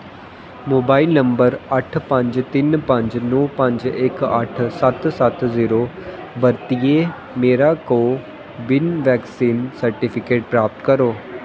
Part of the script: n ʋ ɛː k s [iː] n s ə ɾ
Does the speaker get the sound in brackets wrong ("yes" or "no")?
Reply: no